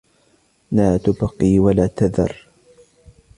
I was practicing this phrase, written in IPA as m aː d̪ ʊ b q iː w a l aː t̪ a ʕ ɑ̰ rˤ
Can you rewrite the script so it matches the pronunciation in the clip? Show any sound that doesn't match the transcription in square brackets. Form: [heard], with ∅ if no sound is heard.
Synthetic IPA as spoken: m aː [t̪] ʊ b q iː w a l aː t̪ a [ð] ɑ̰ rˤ